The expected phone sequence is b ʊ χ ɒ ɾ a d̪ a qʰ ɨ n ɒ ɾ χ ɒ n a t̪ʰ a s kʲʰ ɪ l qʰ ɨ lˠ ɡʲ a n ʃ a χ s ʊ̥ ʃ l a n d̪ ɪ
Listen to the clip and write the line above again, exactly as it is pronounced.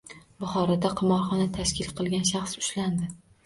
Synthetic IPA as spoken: b ʊ χ ɒ ɾ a d̪ a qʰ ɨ m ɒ ɾ χ ɒ n a t̪ʰ a ʃ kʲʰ ɪ l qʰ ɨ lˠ ɡʲ a n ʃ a χ s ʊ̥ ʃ l a n d̪ ɪ